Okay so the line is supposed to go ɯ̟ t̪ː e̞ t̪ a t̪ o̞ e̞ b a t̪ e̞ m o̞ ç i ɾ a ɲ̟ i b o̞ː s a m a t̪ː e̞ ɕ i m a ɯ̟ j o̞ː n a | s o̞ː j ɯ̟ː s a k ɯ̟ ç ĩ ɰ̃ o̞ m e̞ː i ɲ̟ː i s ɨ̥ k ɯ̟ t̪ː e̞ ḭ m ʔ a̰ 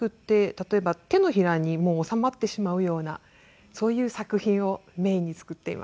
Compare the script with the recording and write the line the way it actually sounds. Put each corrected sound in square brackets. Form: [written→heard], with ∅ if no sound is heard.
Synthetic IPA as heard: ɯ̟ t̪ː e̞ t̪ a t̪ o̞ e̞ b a t̪ e̞ [m→n] o̞ ç i ɾ a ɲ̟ i [b→m] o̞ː s a m a t̪ː e̞ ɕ i m a ɯ̟ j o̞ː n a | s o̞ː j ɯ̟ː s a k ɯ̟ ç ĩ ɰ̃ o̞ m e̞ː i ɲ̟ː i [s→t͡s] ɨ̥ k ɯ̟ t̪ː e̞ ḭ m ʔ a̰